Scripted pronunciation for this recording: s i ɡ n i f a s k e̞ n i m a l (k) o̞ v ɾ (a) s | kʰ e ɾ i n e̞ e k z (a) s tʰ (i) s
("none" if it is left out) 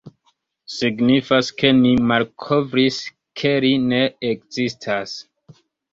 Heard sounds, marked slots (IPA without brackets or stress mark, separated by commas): kʰ, i, i, a